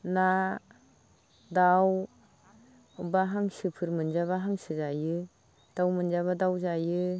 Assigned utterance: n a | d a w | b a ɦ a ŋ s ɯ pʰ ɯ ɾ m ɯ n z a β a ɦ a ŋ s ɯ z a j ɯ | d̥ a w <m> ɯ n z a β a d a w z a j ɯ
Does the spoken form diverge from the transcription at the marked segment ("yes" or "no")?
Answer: no